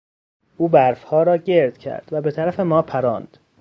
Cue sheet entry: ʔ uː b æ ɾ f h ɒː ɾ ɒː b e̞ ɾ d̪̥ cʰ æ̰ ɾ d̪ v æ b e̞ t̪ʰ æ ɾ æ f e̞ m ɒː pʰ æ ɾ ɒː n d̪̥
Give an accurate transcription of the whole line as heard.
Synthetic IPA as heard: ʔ uː b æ ɾ f h ɒː ɾ ɒː ɟ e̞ ɾ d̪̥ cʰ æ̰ ɾ d̪ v æ b e̞ t̪ʰ æ ɾ æ f e̞ m ɒː pʰ æ ɾ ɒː n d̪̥